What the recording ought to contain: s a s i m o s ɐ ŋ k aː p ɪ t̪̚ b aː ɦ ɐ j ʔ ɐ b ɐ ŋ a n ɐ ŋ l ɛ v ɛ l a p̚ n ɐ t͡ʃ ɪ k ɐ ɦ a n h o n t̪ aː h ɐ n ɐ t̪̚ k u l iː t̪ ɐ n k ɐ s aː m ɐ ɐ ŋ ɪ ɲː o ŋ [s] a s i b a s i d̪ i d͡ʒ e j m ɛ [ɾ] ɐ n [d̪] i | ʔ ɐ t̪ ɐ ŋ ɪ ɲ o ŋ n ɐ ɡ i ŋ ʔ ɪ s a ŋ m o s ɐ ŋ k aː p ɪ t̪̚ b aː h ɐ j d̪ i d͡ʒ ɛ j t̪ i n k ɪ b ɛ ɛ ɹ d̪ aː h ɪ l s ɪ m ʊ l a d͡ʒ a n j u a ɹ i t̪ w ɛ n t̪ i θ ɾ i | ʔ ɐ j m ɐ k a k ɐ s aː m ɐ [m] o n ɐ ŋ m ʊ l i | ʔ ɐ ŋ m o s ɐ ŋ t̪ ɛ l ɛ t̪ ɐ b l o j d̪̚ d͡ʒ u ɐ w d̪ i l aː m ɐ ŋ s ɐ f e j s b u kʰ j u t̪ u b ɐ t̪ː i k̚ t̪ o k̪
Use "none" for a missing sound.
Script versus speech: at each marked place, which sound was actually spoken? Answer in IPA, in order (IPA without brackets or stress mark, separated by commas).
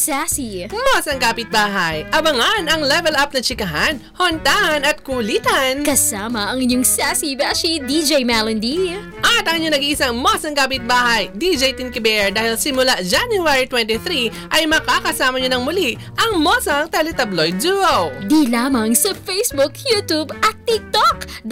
s, l, d̪, ɲ